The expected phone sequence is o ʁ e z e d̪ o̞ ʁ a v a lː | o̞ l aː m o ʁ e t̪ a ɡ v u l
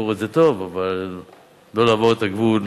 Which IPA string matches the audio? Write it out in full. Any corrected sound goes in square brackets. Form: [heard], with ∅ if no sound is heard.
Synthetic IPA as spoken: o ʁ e z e [t̪] o̞ [v] a v a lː | o̞ l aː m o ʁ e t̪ a ɡ v u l